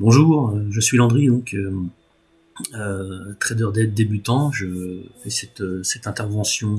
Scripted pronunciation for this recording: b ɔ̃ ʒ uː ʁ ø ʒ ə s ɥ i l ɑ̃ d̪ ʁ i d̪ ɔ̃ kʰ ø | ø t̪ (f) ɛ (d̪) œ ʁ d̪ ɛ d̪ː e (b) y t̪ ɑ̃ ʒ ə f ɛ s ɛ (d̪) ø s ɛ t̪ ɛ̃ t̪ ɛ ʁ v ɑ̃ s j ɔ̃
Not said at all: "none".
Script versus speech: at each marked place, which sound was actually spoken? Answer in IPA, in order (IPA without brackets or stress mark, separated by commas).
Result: χ, d̪, b, t̪